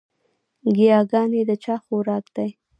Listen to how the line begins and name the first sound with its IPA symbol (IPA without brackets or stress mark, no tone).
ɡ